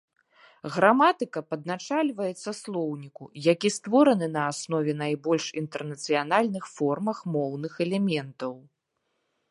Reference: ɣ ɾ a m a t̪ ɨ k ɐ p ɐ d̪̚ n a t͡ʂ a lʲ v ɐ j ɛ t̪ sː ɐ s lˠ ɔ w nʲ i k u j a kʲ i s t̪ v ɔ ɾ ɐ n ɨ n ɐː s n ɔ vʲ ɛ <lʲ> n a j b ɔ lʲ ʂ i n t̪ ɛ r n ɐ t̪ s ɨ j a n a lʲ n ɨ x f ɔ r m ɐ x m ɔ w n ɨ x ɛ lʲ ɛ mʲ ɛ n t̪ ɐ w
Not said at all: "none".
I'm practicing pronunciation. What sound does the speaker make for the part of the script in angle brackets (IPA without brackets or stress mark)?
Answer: none